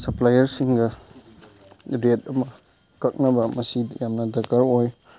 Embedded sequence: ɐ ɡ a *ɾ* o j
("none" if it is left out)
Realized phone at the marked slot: ɾ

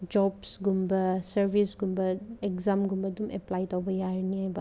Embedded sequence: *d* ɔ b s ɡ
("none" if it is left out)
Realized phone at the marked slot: d͡ʒ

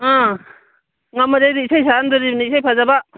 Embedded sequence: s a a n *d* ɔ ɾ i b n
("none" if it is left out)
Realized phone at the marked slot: d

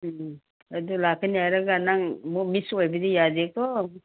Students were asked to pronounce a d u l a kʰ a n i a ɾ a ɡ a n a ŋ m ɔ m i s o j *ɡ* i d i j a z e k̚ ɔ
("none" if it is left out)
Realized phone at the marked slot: b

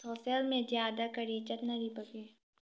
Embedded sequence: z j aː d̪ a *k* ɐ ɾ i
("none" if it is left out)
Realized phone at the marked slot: k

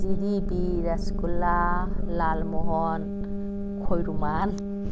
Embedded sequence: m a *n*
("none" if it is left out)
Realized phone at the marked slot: n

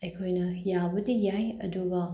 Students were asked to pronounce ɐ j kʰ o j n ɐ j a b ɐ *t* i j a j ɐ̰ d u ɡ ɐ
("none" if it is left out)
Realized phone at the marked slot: d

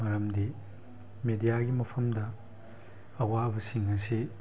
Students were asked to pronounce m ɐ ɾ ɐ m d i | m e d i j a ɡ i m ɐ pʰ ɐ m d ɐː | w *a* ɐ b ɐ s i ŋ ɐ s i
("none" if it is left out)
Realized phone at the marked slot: a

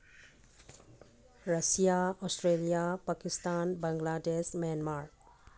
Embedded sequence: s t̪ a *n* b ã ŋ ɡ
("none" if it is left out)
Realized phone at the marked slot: n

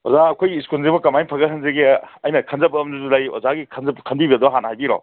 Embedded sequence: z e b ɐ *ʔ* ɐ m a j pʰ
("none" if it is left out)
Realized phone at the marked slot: k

